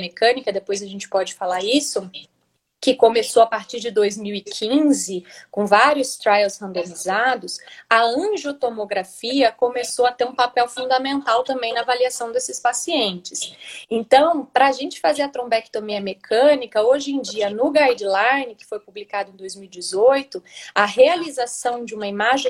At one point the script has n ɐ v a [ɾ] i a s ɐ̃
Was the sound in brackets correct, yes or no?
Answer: no